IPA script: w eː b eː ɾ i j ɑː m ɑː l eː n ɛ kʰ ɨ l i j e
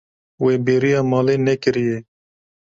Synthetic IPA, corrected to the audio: w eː b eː ɾ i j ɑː m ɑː l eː n ɛ k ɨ ɾ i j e